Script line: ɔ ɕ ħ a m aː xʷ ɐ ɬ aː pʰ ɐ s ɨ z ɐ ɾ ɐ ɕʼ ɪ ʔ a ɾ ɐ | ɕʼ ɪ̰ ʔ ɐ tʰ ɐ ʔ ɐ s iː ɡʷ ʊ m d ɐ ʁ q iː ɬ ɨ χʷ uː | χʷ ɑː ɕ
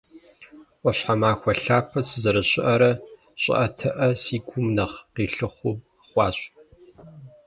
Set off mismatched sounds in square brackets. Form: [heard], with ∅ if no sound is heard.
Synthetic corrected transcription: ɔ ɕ ħ a m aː xʷ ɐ ɬ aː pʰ ɐ s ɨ z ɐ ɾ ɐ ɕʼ ɪ ʔ [ɐ] ɾ ɐ | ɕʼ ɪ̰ ʔ ɐ tʰ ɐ ʔ ɐ s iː ɡʷ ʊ m [n] ɐ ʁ q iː ɬ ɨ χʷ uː | χʷ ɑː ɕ